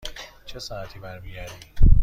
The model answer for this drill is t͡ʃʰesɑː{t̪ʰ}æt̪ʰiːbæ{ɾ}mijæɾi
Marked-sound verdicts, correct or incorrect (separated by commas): incorrect, correct